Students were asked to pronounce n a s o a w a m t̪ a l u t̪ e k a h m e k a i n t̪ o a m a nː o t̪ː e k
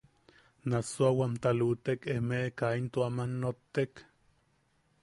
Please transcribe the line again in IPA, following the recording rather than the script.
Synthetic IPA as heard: n a s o a w a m t̪ a l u t̪ e k e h m e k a i n t̪ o a m a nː o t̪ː e k